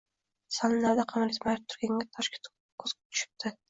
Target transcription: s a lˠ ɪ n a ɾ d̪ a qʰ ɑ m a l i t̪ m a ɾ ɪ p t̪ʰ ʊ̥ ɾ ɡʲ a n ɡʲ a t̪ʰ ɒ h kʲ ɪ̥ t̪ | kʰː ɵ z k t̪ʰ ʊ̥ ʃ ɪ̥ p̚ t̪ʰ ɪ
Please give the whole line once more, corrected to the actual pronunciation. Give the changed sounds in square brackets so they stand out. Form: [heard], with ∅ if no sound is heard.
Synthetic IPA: s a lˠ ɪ n a ɾ d̪ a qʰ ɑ m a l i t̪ m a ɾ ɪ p t̪ʰ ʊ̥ ɾ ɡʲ a [ŋ] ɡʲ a t̪ʰ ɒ [ʃ] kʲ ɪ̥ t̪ | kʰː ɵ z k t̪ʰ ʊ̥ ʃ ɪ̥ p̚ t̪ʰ ɪ